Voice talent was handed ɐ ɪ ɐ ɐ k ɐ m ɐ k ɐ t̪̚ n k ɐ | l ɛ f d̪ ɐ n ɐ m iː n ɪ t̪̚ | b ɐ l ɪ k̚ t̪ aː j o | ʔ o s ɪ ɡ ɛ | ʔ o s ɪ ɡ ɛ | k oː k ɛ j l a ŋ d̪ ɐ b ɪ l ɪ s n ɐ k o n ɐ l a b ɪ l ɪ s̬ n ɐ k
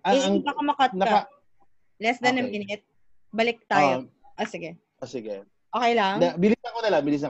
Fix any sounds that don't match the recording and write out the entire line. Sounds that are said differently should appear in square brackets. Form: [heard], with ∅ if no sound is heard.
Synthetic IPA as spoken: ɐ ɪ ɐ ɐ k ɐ m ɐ k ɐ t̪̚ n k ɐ | l ɛ [s] d̪ ɐ n ɐ m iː n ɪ t̪̚ | b ɐ l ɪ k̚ t̪ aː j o | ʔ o s ɪ ɡ ɛ | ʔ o s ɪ ɡ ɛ | [ʔ] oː k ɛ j l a ŋ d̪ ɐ b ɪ l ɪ s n ɐ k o n ɐ l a b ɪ l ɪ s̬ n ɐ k